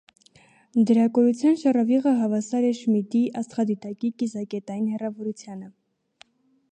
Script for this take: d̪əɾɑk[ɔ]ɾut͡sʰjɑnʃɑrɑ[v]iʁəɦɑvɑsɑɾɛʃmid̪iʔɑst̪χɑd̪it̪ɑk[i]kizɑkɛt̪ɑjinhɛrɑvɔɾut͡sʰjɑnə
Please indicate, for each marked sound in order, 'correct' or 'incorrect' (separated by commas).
correct, correct, correct